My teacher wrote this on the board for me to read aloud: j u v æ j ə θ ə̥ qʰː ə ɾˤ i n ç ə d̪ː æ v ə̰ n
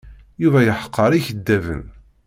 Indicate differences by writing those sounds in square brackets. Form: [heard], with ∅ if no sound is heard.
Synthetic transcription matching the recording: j u v æ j ə [ħ] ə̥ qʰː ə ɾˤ i [∅] ç ə d̪ː æ v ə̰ n